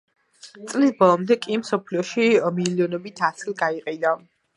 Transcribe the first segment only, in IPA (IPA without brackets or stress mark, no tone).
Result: t̪